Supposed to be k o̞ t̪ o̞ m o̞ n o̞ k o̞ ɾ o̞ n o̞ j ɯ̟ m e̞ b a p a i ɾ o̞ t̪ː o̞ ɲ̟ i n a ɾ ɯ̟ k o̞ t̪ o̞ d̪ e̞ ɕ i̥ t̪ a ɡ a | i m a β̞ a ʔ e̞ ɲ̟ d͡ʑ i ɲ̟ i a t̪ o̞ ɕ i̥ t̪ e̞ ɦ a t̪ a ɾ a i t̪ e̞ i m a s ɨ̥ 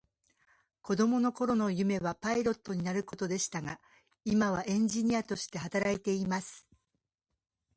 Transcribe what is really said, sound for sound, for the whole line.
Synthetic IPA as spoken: k o̞ d̪ o̞ m o̞ n o̞ k o̞ ɾ o̞ n o̞ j ɯ̟ m e̞ β a p a i ɾ o̞ t̪ː o̞ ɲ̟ i n a ɾ ɯ̟ k o̞ t̪ o̞ d̪ e̞ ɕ i̥ t̪ a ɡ a | i m a β̞ a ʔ ẽ̞ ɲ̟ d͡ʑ i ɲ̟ i a t̪ o̞ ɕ i̥ t̪ e̞ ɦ a t̪ a ɾ a i t̪ e̞ i m a s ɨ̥